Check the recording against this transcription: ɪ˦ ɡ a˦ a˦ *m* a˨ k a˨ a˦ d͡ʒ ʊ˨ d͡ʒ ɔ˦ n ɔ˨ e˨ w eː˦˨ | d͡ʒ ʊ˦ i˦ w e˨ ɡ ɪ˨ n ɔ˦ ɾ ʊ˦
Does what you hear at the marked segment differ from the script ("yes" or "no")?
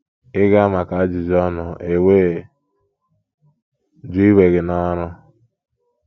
no